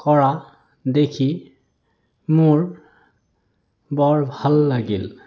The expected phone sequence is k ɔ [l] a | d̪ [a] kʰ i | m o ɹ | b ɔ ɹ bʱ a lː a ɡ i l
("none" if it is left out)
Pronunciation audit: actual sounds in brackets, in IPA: ɹ, e

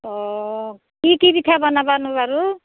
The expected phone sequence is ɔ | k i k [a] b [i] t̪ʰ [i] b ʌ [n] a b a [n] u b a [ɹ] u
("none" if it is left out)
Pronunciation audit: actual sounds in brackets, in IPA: i, i, a, n, n, ɾ

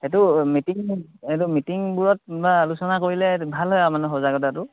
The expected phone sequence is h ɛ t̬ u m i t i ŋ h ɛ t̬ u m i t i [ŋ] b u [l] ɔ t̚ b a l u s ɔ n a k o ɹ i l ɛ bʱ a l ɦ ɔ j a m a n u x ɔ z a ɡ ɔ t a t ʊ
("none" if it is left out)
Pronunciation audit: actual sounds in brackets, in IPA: ŋ, ɹ

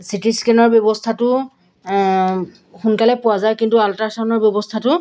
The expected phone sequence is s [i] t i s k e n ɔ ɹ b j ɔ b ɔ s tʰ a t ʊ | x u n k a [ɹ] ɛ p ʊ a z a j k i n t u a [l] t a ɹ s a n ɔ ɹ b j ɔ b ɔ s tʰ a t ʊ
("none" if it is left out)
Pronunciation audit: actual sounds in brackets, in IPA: i, l, l

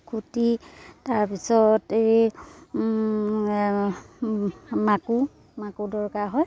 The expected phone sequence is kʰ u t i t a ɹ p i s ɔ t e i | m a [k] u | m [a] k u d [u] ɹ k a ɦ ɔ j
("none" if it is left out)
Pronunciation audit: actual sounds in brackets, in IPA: k, a, ɔ

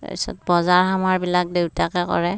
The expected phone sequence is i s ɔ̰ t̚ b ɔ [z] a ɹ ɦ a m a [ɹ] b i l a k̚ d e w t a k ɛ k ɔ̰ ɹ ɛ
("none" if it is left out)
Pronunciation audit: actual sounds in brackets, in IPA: z, ɹ

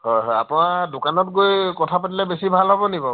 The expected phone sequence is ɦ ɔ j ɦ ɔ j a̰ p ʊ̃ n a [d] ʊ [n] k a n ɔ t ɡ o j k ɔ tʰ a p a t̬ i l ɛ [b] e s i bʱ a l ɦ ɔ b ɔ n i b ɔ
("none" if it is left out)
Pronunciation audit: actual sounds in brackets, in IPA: d, none, b

